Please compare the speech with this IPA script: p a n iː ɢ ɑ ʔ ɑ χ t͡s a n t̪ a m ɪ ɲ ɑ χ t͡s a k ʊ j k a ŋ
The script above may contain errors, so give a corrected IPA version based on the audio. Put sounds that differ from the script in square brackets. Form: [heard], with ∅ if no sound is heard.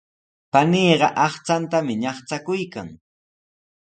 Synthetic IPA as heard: p a n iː ɢ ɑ ʔ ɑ χ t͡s a n t̪ a m ɪ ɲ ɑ χ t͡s a k ʊ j k a ŋ